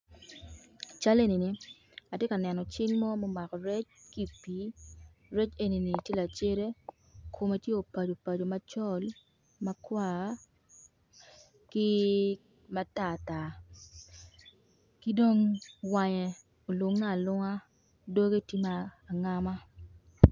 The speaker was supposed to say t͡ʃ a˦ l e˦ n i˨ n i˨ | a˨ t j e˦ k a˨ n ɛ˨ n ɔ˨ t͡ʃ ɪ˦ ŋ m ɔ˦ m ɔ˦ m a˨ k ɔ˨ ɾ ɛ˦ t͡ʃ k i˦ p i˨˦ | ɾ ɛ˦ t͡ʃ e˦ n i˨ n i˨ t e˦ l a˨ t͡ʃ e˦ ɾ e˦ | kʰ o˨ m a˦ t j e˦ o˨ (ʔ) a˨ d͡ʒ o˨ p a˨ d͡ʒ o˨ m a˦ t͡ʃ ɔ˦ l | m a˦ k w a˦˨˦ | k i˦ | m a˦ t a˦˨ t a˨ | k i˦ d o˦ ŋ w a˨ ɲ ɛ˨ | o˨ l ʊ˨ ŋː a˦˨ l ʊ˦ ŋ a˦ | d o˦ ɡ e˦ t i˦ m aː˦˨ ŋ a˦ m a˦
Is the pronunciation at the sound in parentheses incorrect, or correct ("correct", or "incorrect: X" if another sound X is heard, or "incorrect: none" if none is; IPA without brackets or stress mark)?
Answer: incorrect: p